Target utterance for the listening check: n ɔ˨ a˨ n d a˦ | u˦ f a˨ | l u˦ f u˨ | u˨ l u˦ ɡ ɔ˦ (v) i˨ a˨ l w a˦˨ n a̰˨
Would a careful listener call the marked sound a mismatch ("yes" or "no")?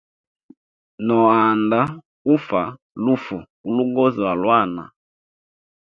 yes